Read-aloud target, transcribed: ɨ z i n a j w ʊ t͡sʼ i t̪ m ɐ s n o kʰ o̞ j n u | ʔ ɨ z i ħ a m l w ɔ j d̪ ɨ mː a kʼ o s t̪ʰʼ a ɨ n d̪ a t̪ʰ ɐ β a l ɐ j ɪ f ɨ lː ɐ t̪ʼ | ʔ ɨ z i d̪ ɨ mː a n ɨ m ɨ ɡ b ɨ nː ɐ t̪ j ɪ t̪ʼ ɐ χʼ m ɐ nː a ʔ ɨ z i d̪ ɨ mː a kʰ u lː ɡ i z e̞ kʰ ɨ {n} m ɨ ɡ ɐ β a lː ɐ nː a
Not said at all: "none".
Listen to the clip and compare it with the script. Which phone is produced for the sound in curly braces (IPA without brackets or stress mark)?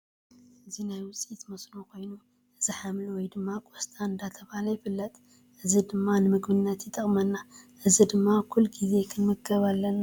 n